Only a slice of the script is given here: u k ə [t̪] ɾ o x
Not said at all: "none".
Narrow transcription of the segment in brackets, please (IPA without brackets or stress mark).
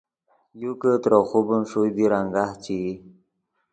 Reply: t̪